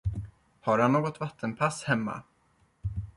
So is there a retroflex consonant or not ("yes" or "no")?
no